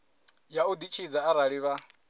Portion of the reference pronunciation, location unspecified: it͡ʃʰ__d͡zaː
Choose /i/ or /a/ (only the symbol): i